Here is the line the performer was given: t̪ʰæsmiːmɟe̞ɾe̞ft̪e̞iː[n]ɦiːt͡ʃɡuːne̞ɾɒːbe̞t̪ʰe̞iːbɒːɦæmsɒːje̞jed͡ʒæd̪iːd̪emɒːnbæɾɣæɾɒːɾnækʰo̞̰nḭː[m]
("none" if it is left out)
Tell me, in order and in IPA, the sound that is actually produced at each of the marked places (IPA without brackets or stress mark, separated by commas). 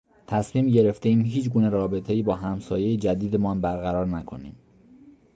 m, m